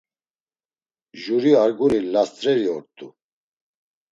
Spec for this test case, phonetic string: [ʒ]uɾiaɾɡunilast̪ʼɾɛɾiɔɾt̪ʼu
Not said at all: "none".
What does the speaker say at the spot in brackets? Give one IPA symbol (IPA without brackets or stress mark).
ʒ